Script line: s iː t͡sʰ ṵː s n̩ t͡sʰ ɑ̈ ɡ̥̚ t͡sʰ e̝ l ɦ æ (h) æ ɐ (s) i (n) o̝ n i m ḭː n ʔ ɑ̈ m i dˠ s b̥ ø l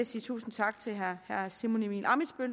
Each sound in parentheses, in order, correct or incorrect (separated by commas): correct, correct, incorrect